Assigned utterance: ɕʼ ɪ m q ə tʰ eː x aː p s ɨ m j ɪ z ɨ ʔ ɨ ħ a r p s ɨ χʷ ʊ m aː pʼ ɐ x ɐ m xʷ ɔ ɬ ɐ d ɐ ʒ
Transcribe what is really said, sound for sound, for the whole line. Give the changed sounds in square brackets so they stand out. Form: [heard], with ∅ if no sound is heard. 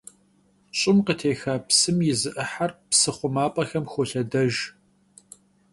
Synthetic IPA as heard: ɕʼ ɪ m q ə tʰ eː x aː p s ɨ m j ɪ z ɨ ʔ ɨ ħ a r p s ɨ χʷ ʊ m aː pʼ ɐ x ɐ m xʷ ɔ ɬ ɐ d ɐ ʒ